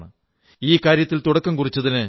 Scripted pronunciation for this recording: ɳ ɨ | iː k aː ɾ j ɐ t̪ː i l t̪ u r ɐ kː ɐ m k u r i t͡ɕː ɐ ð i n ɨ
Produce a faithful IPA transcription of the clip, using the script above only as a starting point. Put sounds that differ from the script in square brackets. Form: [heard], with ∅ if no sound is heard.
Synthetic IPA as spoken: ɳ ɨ | iː k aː ɾ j ɐ t̪ː i l t̪ u [ɽ] ɐ kː ɐ m k u r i t͡ɕː ɐ ð i n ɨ

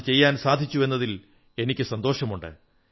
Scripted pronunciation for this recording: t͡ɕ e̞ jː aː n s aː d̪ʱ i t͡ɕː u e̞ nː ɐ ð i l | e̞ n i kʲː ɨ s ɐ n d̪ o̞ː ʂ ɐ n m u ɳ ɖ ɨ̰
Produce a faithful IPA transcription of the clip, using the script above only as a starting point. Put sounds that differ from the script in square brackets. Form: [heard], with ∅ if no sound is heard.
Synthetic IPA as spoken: t͡ɕ e̞ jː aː n s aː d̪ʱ i t͡ɕː u e̞ nː ɐ ð i l | e̞ n i kʲː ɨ s ɐ n d̪ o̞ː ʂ ɐ [∅] m u ɳ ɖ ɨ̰

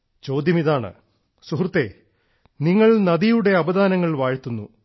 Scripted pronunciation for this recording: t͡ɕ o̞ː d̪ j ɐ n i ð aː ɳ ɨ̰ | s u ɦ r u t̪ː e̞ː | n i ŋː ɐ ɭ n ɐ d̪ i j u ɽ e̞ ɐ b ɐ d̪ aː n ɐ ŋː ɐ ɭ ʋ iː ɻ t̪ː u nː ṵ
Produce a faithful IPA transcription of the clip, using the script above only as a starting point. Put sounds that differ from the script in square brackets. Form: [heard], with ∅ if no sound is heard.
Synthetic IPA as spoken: t͡ɕ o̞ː d̪ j ɐ [m] i ð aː ɳ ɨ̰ | s u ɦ r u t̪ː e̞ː | n i ŋː ɐ ɭ n ɐ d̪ i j u ɽ e̞ ɐ b ɐ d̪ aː n ɐ ŋː ɐ ɭ ʋ [aː] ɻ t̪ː u nː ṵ

